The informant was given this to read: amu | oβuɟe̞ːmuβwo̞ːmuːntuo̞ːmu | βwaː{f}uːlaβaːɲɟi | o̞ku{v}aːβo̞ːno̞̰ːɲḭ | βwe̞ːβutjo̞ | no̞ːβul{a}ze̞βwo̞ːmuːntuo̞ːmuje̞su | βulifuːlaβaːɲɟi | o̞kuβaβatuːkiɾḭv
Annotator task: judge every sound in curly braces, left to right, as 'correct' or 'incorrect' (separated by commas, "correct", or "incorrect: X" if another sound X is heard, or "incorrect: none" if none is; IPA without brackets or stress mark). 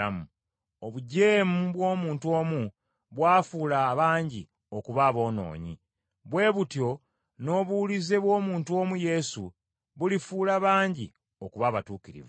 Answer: correct, incorrect: β, incorrect: i